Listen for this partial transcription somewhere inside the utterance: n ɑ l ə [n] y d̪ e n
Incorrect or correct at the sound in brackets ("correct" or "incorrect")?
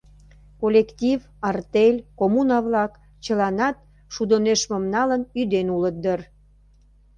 correct